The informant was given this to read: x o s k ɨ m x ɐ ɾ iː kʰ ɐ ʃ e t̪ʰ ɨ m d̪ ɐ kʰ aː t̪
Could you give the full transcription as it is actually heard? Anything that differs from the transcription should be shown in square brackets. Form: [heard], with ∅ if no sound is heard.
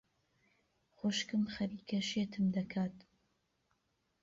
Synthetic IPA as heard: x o [ʃ] k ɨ m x ɐ ɾ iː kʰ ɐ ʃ e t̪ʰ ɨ m d̪ ɐ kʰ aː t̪